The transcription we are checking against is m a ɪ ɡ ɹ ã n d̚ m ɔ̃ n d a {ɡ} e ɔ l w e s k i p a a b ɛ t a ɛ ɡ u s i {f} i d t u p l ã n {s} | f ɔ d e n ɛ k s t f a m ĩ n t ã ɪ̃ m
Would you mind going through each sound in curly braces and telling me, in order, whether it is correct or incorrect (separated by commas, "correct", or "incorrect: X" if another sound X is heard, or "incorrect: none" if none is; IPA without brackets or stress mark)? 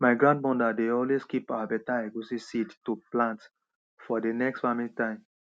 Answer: incorrect: d, incorrect: s, incorrect: t